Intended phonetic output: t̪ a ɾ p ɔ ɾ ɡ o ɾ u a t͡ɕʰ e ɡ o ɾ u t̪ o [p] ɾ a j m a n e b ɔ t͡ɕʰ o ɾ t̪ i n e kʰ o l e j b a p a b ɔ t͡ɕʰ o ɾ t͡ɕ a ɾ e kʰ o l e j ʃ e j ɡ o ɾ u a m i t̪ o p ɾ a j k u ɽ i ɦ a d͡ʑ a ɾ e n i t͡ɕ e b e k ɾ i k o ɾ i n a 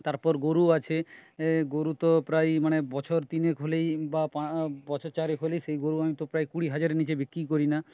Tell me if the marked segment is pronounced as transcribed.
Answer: yes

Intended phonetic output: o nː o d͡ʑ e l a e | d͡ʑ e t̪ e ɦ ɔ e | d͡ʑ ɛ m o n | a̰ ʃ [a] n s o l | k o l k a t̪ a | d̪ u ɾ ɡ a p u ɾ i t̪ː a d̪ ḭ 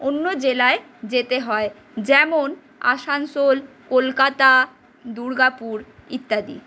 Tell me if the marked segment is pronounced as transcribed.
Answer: yes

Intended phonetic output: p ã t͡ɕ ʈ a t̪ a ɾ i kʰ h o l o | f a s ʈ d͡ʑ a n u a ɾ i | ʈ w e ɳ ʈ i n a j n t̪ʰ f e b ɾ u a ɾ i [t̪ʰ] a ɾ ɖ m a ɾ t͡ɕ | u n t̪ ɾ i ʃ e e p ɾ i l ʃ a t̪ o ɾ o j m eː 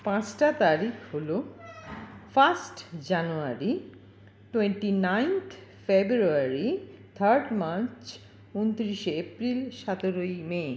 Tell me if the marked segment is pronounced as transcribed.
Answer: yes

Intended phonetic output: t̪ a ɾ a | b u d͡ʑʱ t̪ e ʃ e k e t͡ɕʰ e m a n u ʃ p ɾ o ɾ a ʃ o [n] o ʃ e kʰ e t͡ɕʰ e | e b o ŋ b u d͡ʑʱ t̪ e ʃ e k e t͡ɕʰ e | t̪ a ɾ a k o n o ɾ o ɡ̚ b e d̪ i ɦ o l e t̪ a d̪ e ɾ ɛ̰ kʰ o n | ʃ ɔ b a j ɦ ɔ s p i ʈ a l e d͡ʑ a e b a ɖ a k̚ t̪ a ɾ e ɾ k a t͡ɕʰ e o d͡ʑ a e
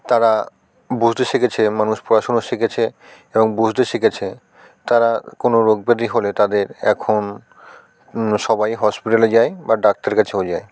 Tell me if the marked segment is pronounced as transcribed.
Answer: yes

